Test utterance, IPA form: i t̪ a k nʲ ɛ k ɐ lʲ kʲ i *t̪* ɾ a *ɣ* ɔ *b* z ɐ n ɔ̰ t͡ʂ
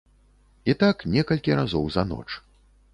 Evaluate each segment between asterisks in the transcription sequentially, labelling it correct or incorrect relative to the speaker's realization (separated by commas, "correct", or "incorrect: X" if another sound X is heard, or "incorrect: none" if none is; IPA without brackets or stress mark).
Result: incorrect: none, incorrect: z, incorrect: w